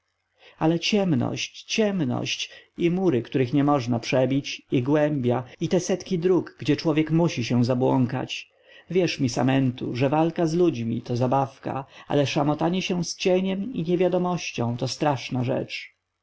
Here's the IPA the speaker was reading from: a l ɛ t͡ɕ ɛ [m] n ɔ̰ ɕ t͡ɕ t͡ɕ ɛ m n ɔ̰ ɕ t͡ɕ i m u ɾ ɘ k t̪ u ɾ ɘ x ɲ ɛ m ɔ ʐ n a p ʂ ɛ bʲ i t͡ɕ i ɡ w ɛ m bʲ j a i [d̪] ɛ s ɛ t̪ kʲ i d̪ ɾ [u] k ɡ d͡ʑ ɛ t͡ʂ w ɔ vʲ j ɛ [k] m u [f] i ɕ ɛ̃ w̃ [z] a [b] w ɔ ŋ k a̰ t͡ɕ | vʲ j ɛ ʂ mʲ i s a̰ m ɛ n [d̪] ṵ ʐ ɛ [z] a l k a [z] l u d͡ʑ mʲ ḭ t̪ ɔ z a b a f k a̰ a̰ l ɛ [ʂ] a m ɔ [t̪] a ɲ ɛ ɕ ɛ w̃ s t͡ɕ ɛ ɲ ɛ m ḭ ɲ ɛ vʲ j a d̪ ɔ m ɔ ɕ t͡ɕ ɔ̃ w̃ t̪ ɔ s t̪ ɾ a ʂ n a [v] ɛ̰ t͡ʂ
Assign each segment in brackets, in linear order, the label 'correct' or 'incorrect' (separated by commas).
correct, incorrect, correct, correct, incorrect, correct, correct, incorrect, incorrect, correct, correct, correct, incorrect